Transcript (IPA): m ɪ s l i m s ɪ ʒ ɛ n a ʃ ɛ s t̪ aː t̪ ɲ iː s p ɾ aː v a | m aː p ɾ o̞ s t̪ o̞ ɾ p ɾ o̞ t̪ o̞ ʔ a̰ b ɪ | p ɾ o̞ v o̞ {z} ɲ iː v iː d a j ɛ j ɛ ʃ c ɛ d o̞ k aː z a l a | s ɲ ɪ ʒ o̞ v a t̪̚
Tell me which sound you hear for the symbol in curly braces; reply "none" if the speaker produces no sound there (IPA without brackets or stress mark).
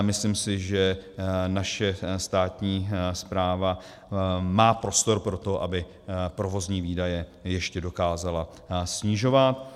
z